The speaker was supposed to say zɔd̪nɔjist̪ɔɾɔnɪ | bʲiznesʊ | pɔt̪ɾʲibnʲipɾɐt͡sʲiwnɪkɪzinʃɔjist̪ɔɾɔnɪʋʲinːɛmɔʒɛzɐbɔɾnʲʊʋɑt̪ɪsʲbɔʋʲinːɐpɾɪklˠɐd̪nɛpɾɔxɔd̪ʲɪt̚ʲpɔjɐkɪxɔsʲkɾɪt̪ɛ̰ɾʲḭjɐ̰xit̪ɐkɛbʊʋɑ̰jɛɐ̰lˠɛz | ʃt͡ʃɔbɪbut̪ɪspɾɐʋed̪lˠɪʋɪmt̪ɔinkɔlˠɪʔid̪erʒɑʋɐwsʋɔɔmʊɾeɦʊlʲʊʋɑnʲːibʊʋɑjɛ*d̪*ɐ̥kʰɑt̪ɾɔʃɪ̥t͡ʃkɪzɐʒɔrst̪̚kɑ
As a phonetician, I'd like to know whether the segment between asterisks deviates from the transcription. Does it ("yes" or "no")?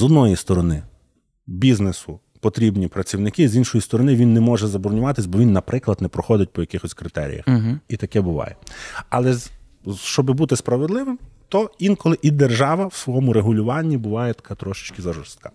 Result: yes